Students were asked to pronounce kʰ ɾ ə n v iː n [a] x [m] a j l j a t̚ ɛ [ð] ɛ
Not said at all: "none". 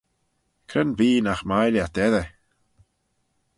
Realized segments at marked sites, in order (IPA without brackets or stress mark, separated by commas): a, m, ð